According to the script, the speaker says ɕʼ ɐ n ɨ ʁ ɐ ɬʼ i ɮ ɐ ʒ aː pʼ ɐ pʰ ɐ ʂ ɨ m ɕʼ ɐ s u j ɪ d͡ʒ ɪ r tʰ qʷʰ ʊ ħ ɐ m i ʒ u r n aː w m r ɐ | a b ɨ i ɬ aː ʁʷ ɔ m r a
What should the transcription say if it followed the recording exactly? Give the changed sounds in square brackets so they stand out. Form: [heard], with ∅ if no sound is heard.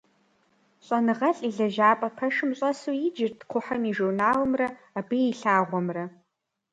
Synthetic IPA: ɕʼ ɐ n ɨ ʁ ɐ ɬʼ i ɮ ɐ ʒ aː pʼ ɐ pʰ ɐ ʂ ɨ m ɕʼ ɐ s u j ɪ d͡ʒ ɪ r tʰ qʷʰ ʊ ħ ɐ m i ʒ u r n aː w m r ɐ | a b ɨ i ɬ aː ʁʷ ɔ m r [ɐ]